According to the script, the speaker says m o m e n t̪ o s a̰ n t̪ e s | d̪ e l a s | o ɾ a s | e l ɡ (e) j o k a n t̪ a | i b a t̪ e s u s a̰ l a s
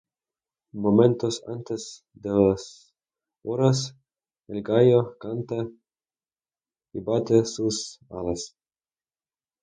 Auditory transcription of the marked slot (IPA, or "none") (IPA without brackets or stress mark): a